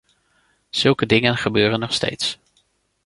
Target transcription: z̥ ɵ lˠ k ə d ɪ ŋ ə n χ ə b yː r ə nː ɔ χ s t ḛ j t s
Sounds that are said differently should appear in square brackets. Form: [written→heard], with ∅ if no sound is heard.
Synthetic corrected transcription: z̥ ɵ lˠ k ə d ɪ ŋ ə n χ ə b [yː→øː] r ə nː ɔ χ s t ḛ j t s